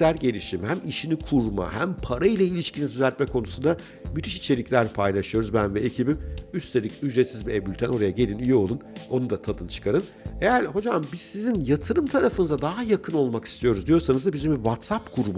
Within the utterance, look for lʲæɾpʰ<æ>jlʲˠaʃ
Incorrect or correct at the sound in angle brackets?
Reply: incorrect: a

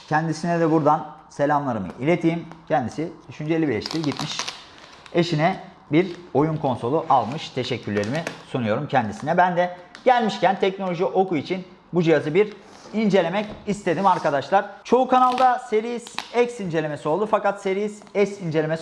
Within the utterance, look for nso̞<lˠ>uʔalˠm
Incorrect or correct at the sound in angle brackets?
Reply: correct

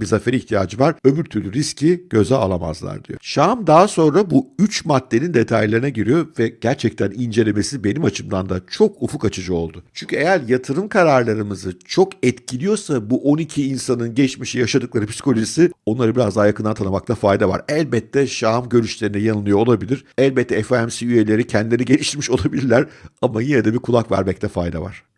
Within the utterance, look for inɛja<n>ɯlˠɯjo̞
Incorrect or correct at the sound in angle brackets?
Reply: correct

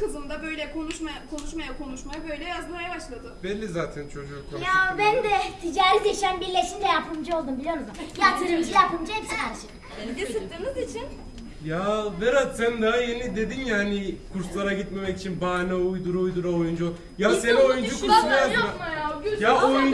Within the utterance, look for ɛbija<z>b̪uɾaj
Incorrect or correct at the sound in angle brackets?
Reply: correct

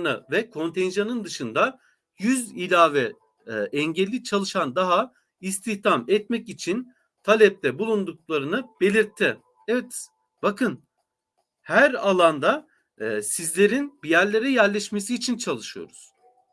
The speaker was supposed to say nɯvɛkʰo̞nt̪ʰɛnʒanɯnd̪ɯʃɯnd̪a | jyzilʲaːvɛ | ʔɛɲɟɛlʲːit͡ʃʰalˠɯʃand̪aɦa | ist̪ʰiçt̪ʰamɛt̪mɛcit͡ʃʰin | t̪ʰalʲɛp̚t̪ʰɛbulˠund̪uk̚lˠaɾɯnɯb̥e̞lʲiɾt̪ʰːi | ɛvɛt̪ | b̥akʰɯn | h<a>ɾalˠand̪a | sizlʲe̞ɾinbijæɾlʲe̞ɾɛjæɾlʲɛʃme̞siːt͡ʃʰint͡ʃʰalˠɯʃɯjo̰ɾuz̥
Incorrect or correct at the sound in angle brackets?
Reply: incorrect: æ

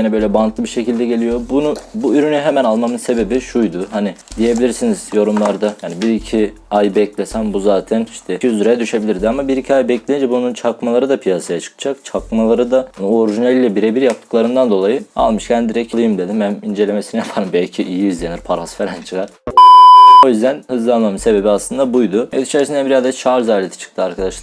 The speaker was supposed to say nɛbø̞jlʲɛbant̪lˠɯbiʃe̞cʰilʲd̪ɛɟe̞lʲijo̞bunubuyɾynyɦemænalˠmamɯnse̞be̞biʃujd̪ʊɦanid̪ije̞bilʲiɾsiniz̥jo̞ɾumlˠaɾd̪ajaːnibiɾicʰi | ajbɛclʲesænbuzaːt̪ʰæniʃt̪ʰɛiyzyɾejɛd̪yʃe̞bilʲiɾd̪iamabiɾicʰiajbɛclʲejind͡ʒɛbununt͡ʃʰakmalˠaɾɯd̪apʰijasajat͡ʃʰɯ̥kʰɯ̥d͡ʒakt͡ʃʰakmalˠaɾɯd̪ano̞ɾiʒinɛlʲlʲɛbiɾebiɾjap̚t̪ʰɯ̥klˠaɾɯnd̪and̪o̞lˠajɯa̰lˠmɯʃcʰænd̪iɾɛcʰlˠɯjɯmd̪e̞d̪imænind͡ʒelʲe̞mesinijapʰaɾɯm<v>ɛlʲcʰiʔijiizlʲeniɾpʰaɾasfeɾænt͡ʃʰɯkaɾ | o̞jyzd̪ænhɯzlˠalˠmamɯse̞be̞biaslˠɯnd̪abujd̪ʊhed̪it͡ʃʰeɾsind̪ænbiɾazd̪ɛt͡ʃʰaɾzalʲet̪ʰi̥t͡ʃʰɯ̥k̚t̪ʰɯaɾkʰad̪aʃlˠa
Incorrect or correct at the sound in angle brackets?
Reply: incorrect: b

